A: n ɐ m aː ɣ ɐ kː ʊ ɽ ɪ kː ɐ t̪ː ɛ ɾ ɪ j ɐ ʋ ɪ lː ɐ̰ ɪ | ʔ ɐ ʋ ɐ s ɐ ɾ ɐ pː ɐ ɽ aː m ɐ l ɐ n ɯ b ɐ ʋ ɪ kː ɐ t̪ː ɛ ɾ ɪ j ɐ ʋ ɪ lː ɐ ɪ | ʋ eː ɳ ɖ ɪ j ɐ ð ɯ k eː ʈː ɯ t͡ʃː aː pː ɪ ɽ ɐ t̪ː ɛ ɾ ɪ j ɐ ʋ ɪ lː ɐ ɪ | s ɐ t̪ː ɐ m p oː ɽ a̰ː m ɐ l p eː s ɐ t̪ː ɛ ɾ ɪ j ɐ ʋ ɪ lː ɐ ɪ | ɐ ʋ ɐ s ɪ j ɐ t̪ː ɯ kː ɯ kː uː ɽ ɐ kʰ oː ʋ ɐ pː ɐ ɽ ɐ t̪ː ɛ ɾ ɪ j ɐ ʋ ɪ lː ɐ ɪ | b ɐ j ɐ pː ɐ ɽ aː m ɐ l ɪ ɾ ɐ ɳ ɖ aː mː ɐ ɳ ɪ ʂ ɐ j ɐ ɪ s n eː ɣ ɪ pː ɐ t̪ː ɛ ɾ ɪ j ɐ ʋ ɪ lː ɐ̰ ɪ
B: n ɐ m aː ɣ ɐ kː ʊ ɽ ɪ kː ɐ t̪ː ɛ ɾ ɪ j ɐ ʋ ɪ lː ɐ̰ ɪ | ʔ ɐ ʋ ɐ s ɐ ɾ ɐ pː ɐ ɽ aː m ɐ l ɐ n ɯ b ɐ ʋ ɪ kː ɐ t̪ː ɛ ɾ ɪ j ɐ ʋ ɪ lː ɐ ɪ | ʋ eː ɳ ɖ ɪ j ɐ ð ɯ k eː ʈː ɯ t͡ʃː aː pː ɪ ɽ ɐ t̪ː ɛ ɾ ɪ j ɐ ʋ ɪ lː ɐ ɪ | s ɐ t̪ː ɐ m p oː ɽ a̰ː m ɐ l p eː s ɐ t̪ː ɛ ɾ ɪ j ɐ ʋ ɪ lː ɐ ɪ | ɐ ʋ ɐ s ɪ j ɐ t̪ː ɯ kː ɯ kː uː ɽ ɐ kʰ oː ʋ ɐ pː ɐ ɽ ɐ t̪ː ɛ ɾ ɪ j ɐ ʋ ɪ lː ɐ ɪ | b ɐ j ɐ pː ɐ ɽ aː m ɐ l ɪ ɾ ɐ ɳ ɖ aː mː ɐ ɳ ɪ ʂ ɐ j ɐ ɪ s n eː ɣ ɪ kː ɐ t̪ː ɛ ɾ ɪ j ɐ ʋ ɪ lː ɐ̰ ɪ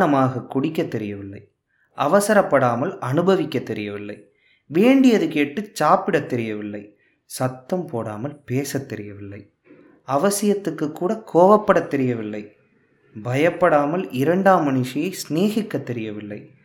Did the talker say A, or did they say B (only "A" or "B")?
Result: B